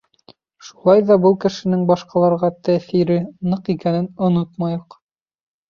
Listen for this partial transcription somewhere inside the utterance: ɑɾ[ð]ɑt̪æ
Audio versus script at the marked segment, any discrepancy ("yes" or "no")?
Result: yes